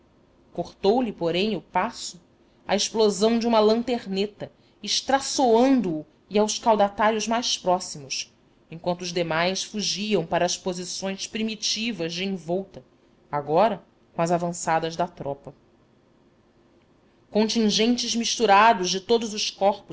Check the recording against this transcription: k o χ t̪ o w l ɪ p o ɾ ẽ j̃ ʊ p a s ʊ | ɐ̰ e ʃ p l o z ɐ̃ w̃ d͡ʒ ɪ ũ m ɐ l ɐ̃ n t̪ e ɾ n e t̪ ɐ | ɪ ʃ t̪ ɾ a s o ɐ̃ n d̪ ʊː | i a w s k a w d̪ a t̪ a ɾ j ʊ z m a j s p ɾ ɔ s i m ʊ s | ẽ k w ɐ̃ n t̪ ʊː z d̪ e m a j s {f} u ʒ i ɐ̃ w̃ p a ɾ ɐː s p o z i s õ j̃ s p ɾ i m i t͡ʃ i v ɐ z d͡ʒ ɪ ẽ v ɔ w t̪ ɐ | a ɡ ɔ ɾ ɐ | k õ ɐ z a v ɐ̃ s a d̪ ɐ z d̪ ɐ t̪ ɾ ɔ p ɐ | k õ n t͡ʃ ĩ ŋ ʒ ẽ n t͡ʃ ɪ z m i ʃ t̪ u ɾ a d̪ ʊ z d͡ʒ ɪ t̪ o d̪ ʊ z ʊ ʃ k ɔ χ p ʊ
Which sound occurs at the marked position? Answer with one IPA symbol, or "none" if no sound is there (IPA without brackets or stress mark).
f